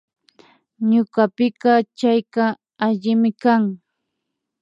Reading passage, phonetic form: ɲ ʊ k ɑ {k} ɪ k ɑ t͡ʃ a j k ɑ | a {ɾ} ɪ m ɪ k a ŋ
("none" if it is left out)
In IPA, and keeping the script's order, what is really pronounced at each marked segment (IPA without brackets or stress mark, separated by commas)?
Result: p, ʎ